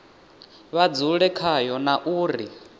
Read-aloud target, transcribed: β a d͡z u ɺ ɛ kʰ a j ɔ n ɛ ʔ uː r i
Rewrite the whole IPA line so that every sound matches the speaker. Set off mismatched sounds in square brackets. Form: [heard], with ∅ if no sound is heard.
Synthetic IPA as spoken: β a d͡z u ɺ ɛ kʰ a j ɔ n [a] ʔ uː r i